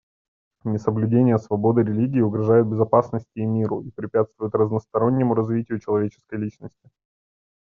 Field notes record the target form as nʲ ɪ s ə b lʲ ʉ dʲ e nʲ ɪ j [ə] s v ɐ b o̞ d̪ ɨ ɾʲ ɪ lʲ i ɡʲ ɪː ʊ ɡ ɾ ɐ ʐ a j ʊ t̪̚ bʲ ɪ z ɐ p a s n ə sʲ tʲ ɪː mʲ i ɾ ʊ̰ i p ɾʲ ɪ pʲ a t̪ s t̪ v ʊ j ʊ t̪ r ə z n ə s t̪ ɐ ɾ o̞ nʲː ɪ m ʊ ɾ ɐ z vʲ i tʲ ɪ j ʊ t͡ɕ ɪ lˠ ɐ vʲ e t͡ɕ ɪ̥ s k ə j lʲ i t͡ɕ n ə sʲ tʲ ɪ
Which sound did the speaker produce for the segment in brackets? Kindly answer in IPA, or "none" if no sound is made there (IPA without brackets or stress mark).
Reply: ə